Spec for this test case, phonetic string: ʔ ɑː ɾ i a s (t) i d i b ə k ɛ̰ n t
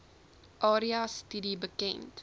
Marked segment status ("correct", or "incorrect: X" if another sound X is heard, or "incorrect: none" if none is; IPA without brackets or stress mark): correct